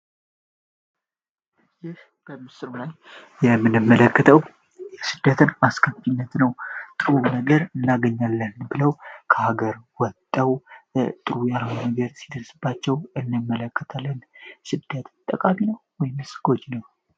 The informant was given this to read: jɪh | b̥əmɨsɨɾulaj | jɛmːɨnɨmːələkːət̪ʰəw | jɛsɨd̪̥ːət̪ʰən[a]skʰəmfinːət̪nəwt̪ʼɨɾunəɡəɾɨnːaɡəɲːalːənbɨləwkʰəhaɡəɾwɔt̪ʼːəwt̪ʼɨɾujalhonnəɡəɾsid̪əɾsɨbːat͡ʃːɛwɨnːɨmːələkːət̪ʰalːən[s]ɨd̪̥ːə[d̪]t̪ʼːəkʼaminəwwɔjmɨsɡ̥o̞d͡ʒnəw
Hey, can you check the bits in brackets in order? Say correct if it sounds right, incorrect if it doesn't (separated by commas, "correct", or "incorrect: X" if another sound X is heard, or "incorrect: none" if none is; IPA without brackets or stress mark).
correct, correct, incorrect: t̪